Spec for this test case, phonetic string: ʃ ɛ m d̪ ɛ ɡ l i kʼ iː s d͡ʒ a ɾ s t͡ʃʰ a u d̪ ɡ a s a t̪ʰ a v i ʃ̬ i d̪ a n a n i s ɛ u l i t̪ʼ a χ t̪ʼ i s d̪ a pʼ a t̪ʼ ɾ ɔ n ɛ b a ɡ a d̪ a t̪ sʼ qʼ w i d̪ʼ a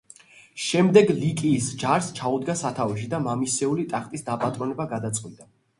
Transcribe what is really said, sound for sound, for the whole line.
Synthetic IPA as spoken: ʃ ɛ m d̪ ɛ ɡ l i kʼ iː s d͡ʒ a ɾ s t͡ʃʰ a u d̪ ɡ a s a t̪ʰ a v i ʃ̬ i d̪ a m a m i s ɛ u l i t̪ʼ a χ t̪ʼ i s d̪ a pʼ a t̪ʼ ɾ ɔ n ɛ b a ɡ a d̪ a t̪ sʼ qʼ w i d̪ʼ a

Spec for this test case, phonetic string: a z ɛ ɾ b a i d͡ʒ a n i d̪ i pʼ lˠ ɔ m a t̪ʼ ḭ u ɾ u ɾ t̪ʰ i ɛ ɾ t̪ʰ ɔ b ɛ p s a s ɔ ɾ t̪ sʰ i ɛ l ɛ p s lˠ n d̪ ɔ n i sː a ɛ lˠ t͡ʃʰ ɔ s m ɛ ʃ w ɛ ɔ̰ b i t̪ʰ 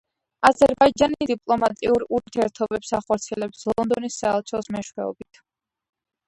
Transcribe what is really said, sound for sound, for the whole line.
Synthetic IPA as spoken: a z ɛ ɾ b a i d͡ʒ a n i d̪ i pʼ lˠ ɔ m a t̪ʼ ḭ u ɾ u ɾ t̪ʰ i ɛ ɾ t̪ʰ ɔ b ɛ p s a χ ɔ ɾ t̪ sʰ i ɛ l ɛ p s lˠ n d̪ ɔ n i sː a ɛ lˠ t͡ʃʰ ɔ s m ɛ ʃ w ɛ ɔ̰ b i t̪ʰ

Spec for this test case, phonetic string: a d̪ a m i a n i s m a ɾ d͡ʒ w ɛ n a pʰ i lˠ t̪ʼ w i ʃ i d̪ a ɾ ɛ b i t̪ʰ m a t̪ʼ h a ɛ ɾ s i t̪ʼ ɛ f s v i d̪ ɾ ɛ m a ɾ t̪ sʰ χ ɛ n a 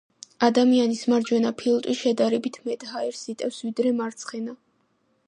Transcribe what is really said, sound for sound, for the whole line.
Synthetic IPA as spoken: a d̪ a m i a n i s m a ɾ d͡ʒ w ɛ n a pʰ i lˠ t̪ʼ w i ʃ ɛ d̪ a ɾ ɛ b i t̪ʰ m ɛ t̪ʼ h a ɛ ɾ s i t̪ʼ ɛ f s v i d̪ ɾ ɛ m a ɾ t̪ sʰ χ ɛ n a

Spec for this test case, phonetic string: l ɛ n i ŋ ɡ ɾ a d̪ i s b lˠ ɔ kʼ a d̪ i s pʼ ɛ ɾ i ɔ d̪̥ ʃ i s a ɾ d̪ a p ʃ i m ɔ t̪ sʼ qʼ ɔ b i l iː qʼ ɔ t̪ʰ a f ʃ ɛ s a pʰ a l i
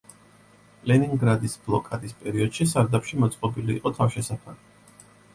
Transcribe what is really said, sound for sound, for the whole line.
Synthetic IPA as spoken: l ɛ n i ŋ ɡ ɾ a d̪ i s b lˠ ɔ kʼ a d̪ i s pʼ ɛ ɾ i ɔ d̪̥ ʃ i s a ɾ d̪ a p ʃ i m ɔ t̪ sʼ qʼ ɔ b i l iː qʼ ɔ t̪ʰ a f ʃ ɛ s a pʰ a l i

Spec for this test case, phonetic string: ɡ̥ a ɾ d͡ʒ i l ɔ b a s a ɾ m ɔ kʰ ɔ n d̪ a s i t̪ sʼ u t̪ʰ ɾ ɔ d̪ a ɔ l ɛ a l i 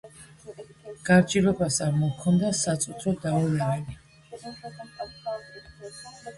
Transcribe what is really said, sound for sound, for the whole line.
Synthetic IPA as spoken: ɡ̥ a ɾ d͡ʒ i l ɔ b a s a ɾ m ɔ kʰ ɔ n d̪ a s a t̪ sʼ u t̪ʰ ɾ ɔ d̪ a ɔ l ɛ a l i

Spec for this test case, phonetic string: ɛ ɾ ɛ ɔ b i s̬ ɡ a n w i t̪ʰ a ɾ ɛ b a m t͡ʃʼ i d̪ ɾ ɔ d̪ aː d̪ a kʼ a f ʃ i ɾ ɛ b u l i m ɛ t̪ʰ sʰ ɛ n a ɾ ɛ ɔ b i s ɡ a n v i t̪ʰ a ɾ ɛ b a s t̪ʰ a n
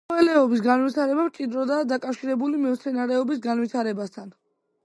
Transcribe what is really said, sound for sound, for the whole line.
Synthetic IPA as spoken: ɛ l ɛ ɔ b i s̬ ɡ a n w i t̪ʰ a ɾ ɛ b a m t͡ʃʼ i d̪ ɾ ɔ d̪ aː d̪ a kʼ a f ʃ i ɾ ɛ b u l i m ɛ t̪ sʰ ɛ n a ɾ ɛ ɔ b i s ɡ a n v i t̪ʰ a ɾ ɛ b a s t̪ʰ a n

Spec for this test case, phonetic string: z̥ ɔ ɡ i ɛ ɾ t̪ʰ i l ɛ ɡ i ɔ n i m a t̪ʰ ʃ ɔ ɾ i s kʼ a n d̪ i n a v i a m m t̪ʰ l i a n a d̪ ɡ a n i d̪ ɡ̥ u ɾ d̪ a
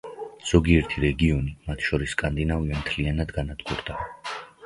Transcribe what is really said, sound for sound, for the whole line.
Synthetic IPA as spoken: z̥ ɔ ɡ i ɛ ɾ t̪ʰ i ɾ ɛ ɡ i ɔ n i m a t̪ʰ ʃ ɔ ɾ i s kʼ a n d̪ i n a v i a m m t̪ʰ l i a n a d̪ ɡ a n a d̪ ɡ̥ u ɾ d̪ a

